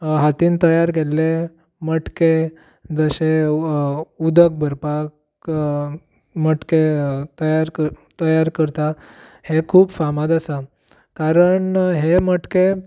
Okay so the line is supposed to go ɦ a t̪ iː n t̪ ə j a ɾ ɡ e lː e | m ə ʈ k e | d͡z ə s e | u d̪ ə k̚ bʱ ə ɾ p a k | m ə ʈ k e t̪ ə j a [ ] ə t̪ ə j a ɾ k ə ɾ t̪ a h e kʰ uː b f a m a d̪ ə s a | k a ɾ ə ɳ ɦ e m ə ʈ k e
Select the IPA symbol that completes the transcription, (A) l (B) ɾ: B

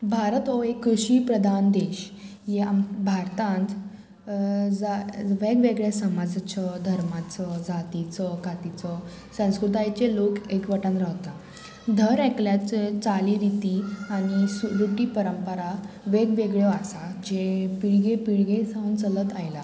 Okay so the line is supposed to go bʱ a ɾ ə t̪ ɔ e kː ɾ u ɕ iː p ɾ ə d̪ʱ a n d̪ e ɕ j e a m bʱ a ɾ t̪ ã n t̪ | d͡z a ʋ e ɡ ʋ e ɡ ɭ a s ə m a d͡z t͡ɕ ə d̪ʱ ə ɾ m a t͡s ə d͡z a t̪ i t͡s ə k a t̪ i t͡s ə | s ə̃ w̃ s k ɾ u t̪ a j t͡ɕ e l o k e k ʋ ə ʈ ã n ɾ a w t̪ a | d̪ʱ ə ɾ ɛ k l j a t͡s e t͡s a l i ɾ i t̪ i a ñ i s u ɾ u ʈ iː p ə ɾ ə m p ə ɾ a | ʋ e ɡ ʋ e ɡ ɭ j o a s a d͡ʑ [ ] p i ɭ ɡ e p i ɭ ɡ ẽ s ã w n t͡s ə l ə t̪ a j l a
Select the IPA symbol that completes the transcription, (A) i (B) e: B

